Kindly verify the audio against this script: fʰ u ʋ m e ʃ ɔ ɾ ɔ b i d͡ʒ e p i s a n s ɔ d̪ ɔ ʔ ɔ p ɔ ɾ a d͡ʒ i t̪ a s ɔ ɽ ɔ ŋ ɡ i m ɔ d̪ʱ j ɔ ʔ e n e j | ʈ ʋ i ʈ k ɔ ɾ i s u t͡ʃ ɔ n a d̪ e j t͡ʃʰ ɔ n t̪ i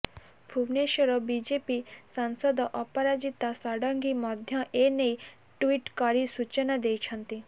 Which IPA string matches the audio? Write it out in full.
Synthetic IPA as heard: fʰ u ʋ n e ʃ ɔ ɾ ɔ b i d͡ʒ e p i s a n s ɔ d̪ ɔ ʔ ɔ p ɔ ɾ a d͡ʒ i t̪ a s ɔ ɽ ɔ ŋ ɡ i m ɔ d̪ʱ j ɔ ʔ e n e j | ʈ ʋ i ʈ k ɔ ɾ i s u t͡ʃ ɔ n a d̪ e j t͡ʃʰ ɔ n t̪ i